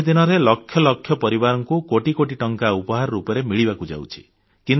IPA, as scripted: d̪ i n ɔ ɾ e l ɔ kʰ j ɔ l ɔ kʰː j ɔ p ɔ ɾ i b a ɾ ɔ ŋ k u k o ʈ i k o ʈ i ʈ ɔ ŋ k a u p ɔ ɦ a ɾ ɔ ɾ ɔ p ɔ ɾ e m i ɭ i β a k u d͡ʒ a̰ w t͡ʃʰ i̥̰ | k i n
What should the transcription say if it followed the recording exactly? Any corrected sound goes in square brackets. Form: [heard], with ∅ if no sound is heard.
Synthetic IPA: d̪ i n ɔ ɾ e l ɔ kʰ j ɔ l ɔ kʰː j ɔ p ɔ ɾ i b a ɾ ɔ ŋ k u k o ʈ i k o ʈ i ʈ ɔ ŋ k a u p ɔ ɦ a ɾ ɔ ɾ [u] p ɔ ɾ e m i ɭ i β a k u d͡ʒ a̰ w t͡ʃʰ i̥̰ | k i n